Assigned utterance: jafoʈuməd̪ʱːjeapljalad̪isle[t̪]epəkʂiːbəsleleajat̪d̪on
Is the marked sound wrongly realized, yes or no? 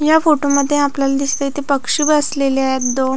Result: no